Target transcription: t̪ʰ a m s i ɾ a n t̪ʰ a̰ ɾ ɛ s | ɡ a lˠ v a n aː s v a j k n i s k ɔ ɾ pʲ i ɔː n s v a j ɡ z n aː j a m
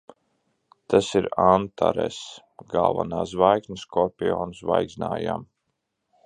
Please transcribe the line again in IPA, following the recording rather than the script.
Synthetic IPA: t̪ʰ a s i ɾ a n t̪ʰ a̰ ɾ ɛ s | ɡ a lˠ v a n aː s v a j k n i s k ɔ ɾ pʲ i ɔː n s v a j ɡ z n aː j a m